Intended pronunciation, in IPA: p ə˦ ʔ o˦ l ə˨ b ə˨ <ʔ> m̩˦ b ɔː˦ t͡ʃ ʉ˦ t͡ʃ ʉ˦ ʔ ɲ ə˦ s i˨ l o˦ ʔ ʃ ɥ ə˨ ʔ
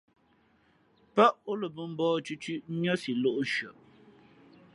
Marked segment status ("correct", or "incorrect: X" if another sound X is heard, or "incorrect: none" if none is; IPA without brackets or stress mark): incorrect: none